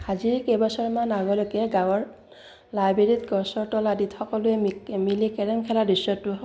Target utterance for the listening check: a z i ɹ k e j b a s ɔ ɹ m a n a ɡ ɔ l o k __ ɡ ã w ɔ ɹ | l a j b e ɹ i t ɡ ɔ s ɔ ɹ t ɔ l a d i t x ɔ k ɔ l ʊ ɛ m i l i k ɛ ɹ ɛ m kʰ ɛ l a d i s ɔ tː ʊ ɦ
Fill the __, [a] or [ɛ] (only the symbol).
ɛ